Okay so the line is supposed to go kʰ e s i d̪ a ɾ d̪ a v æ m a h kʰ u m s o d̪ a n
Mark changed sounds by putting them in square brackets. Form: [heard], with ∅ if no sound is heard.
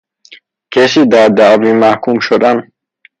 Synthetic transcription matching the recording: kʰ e s i d̪ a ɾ d̪ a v [i] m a h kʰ u m [ʃ] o d̪ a n